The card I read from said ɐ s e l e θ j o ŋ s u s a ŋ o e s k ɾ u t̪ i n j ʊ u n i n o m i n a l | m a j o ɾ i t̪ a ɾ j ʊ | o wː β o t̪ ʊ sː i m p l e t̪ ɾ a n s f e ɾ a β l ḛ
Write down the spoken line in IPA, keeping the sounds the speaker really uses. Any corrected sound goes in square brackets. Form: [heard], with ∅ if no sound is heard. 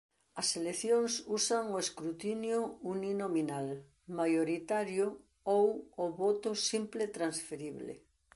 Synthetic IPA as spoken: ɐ s e l e θ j o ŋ s u s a ŋ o e s k ɾ u t̪ i n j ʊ u n i n o m i n a l | m a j o ɾ i t̪ a ɾ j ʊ | o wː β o t̪ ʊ [s] i m p l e t̪ ɾ a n s f e ɾ [i] β l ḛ